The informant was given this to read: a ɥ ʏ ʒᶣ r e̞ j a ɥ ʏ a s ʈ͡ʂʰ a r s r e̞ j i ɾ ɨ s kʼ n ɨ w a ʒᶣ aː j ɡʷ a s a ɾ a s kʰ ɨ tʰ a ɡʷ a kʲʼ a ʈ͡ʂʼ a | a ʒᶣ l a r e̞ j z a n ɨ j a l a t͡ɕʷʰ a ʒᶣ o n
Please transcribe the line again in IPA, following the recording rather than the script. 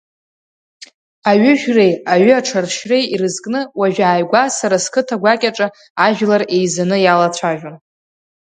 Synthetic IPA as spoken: a ɥ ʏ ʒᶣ r e̞ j a ɥ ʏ a ʈ͡ʂʰ a r ʃ r e̞ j i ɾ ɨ z kʼ n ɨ w a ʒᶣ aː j ɡʷ a s a ɾ a s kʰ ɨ tʰ a ɡʷ a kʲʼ a ʈ͡ʂʼ a | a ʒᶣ l a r e̞ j z a n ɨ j a l a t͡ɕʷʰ a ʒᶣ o n